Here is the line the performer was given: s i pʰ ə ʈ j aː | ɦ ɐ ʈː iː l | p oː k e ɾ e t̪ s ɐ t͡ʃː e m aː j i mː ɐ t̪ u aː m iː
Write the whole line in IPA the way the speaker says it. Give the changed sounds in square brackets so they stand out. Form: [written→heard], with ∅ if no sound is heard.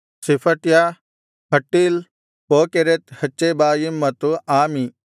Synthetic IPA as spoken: s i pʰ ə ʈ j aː | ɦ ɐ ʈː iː l | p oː k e ɾ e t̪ [s→h] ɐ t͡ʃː e [m→b] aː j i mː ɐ t̪ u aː m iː